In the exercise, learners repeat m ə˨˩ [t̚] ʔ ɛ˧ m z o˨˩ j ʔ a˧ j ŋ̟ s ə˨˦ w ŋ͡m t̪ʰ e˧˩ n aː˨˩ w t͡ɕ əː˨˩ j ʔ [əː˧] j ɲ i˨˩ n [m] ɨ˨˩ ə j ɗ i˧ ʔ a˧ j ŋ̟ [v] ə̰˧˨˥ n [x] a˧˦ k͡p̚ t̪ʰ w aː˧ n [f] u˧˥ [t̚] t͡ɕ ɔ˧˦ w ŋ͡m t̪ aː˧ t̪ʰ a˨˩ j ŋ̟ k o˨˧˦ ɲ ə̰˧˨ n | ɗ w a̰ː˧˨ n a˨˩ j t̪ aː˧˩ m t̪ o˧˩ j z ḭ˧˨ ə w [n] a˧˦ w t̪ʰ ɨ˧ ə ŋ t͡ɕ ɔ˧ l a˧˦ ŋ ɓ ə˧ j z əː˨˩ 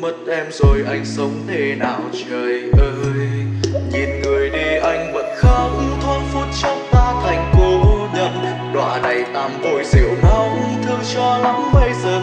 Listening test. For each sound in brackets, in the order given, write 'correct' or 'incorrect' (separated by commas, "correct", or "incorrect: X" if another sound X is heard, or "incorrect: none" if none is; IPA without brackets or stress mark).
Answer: correct, correct, incorrect: ŋ, correct, correct, correct, correct, correct